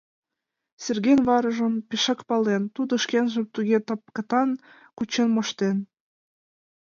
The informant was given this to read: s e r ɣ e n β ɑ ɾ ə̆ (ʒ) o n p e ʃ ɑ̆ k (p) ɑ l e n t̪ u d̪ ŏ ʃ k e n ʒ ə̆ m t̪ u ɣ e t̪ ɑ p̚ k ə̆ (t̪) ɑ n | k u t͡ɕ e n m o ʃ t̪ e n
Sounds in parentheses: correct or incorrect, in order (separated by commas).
correct, correct, correct